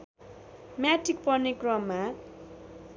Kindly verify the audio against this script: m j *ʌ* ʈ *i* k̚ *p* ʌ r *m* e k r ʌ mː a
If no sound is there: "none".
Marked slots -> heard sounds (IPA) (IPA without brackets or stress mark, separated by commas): a, i, p, n